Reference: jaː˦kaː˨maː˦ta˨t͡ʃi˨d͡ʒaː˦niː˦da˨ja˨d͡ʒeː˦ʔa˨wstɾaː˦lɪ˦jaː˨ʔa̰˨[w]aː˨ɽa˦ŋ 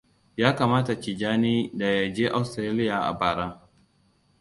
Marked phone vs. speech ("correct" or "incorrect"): incorrect